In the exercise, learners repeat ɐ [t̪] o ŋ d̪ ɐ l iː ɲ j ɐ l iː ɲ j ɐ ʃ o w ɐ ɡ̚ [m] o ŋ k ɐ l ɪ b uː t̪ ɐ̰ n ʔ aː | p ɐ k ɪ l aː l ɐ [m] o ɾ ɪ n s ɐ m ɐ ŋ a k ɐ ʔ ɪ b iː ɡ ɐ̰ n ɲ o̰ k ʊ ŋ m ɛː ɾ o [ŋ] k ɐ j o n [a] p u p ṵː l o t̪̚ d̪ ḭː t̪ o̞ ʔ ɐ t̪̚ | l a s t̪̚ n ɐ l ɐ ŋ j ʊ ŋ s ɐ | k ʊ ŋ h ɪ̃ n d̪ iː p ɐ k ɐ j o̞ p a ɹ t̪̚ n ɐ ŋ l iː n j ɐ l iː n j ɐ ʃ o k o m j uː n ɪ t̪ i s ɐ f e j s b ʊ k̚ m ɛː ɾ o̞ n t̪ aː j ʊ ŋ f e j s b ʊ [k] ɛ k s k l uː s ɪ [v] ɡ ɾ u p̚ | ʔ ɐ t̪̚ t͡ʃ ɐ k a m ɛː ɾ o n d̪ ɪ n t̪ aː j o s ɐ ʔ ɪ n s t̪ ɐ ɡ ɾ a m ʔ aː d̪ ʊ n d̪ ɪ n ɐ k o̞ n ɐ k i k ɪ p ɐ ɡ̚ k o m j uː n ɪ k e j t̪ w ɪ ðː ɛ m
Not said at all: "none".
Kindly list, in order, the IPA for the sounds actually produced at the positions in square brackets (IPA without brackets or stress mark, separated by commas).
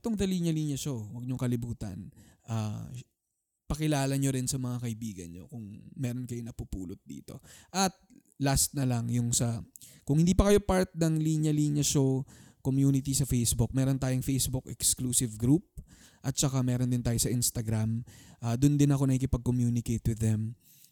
t̪, ɲ, ɲ, n, ɐ, k, v